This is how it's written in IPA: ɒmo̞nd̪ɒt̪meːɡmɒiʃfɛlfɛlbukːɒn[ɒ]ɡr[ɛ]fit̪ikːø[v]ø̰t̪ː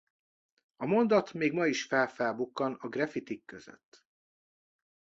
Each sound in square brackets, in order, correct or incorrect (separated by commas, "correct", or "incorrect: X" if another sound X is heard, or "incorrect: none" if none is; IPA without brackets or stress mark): correct, correct, incorrect: z